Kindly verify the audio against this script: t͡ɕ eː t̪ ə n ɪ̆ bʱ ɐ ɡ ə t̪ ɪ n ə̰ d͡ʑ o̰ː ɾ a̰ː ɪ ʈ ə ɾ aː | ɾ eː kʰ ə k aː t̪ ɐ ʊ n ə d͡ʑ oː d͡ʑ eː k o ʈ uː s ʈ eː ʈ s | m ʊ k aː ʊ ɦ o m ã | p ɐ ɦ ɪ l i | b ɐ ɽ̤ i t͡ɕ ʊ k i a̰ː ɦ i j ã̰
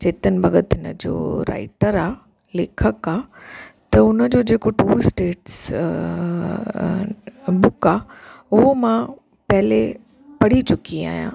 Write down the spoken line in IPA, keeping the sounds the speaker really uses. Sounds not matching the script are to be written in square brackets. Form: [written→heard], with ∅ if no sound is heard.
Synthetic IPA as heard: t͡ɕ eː t̪ ə n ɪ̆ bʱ ɐ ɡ ə t̪ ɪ n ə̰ d͡ʑ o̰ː ɾ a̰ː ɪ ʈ ə ɾ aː | [ɾ→l] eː kʰ ə k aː t̪ ɐ ʊ n ə d͡ʑ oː d͡ʑ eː k o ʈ uː s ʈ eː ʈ s | [m→b] ʊ k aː ʊ ɦ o m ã | p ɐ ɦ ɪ l [i→e] | [b→p] ɐ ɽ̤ i t͡ɕ ʊ k i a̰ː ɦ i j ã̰

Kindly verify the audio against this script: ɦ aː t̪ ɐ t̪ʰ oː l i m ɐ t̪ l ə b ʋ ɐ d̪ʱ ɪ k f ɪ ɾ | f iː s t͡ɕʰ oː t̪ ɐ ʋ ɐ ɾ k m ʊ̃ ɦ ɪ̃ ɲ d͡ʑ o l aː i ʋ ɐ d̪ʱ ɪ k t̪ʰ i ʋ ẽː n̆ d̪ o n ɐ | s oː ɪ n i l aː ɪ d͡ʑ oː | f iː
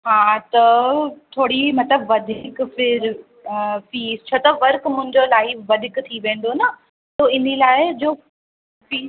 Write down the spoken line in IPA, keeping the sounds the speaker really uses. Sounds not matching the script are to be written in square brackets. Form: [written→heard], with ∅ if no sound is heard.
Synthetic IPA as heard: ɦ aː t̪ ɐ t̪ʰ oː [l→ɽ] i m ɐ t̪ l ə b ʋ ɐ d̪ʱ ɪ k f ɪ ɾ | f iː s t͡ɕʰ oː t̪ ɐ ʋ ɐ ɾ k m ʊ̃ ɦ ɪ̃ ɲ d͡ʑ o l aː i ʋ ɐ d̪ʱ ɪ k t̪ʰ i ʋ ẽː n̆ d̪ o n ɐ | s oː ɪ n i l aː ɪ d͡ʑ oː | f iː

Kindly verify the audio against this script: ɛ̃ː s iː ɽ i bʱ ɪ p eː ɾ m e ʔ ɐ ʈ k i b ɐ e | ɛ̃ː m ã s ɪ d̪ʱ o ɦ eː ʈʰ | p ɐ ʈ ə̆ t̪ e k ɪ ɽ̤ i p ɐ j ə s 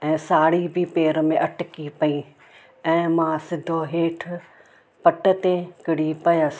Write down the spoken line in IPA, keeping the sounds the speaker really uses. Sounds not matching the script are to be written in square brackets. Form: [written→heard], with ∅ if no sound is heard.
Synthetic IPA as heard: ɛ̃ː s [iː→aː] ɽ i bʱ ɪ p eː ɾ m [e→ẽ] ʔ ɐ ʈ k i [b→p] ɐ [e→i] | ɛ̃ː m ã s ɪ d̪ʱ o ɦ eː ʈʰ | p ɐ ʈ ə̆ t̪ e k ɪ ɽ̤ i p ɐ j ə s

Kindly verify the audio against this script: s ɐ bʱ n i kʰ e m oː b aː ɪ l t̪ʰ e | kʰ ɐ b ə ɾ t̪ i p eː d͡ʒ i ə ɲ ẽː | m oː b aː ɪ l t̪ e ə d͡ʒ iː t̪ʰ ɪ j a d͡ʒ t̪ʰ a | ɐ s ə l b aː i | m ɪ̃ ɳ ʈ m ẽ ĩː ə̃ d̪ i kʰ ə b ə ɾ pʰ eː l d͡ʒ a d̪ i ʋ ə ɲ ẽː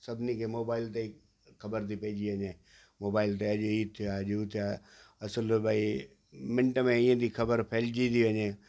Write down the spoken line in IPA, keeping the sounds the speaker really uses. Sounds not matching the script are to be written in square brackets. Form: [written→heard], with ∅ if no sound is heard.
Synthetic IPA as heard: s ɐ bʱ n i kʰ e m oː b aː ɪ l [t̪ʰ→t̪] e | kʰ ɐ b ə ɾ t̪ i p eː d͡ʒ i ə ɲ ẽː | m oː b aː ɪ l t̪ e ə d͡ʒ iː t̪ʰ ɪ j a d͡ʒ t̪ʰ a | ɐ s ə l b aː i | m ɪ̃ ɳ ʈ m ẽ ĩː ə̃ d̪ i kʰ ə b ə ɾ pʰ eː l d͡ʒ [a→i] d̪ i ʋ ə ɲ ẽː

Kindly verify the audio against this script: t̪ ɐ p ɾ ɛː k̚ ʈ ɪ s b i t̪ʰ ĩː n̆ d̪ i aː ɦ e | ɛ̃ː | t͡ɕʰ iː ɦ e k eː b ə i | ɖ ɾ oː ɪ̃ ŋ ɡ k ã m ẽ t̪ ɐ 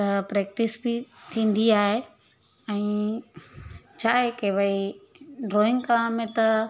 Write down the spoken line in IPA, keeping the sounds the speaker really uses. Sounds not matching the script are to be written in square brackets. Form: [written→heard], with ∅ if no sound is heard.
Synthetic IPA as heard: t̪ ɐ p ɾ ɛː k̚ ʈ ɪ s b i t̪ʰ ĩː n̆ d̪ i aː ɦ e | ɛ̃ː | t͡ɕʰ [iː→aː] ɦ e k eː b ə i | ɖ ɾ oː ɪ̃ ŋ ɡ k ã m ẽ t̪ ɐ

